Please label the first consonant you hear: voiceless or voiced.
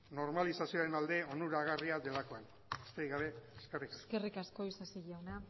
voiced